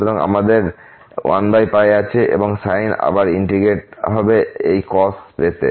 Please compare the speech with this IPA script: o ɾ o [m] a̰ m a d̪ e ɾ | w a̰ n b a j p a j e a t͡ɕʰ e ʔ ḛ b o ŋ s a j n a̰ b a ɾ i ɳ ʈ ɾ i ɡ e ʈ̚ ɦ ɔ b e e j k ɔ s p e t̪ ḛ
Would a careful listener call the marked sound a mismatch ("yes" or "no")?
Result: yes